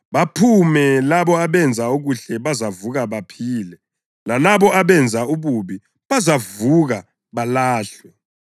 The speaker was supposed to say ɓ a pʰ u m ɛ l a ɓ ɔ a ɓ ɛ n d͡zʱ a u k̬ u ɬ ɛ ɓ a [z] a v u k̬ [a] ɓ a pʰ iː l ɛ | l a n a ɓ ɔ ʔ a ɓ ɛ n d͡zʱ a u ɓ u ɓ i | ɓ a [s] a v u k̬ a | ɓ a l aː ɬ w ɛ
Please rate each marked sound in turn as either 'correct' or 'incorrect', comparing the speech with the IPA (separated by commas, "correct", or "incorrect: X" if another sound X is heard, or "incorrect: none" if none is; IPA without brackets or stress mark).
correct, correct, incorrect: z